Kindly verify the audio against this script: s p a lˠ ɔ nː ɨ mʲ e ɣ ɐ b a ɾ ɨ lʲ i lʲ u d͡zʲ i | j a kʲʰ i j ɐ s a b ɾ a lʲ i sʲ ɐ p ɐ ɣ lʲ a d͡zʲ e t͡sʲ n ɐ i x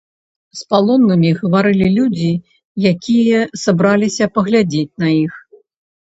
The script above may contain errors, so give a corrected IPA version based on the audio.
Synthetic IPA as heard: s p a lˠ ɔ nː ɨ mʲ i ɣ ɐ v a ɾ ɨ lʲ i lʲ u d͡zʲ i | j a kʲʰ i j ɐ s a b ɾ a lʲ i sʲ ɐ p ɐ ɣ lʲ a d͡zʲ e t͡sʲ n ɐ i x